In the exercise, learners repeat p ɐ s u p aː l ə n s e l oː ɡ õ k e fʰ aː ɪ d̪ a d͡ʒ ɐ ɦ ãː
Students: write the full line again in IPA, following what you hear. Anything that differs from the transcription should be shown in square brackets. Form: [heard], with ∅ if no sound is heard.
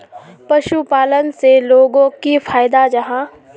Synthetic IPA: p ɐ [ʃ] u p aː l ə n s e l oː ɡ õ k [i] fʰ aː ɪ d̪ a d͡ʒ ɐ ɦ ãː